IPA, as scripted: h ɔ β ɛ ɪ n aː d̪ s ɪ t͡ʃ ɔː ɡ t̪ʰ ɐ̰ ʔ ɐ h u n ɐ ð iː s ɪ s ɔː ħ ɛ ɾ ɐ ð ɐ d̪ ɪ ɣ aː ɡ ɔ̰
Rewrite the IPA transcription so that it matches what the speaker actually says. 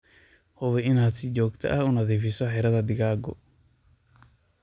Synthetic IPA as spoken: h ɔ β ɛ ɪ n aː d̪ s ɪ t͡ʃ ɔː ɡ t̪ʰ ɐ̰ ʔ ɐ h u n ɐ ð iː f ɪ s ɔ ħ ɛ ɾ ɐ ð ɐ d̪ ɪ ɣ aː ɡ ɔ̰